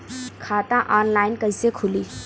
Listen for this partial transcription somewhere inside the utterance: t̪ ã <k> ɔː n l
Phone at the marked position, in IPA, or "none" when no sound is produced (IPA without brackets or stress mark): ʔ